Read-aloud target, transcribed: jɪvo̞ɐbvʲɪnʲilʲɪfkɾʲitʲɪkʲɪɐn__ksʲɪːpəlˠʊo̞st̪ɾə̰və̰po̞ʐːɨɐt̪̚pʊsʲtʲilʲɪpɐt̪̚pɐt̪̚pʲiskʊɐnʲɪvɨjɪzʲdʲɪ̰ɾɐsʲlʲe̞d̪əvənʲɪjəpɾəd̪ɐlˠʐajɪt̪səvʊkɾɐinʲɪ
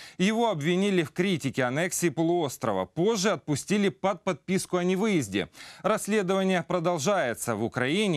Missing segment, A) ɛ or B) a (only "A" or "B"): A